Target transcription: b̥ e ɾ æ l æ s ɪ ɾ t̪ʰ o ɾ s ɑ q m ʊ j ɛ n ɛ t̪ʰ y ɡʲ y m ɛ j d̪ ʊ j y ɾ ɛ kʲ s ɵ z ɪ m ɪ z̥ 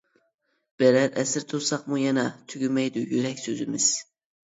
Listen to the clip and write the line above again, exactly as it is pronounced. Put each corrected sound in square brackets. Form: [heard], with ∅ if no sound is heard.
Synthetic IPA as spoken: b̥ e ɾ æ [ɾ] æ s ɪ ɾ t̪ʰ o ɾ s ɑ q m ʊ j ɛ n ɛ t̪ʰ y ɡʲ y m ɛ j d̪ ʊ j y ɾ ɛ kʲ s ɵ z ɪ m ɪ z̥